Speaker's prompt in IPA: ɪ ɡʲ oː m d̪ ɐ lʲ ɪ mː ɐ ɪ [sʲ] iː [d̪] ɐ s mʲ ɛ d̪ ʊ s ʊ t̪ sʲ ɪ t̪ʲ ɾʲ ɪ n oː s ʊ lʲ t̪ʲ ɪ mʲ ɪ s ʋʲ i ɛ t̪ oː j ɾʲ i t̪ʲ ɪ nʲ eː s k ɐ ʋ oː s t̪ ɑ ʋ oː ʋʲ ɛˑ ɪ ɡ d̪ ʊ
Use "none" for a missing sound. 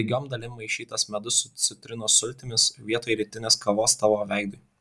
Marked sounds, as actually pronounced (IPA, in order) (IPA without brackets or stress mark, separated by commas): ʃʲ, t̪